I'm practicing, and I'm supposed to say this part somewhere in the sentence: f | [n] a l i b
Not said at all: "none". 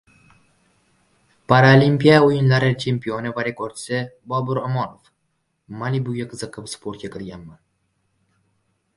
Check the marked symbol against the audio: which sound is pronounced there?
m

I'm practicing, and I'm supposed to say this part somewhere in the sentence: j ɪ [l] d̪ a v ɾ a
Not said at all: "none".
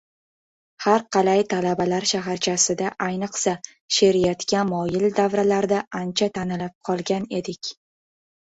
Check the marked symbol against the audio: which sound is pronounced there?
l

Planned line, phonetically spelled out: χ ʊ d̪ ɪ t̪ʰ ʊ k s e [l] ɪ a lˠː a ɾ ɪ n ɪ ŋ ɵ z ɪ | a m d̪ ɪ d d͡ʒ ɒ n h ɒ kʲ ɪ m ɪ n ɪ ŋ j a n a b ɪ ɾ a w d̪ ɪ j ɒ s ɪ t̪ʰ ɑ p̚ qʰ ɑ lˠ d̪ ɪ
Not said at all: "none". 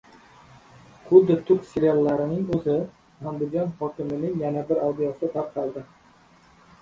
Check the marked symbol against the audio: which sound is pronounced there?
ɾ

